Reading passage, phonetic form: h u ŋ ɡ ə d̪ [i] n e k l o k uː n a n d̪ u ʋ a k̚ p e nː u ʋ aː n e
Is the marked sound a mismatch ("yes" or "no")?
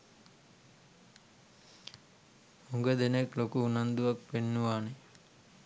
yes